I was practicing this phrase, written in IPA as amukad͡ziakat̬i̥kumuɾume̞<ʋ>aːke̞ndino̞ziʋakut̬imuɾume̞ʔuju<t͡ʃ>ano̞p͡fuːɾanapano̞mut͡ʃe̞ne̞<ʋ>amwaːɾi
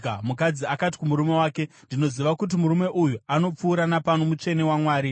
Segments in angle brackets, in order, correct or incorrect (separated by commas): incorrect, incorrect, incorrect